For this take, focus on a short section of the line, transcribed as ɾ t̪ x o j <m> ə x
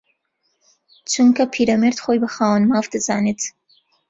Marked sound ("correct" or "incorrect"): incorrect